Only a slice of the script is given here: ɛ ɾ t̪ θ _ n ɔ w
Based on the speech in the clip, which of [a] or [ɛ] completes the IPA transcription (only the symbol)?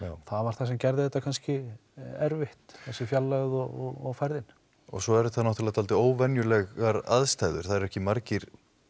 a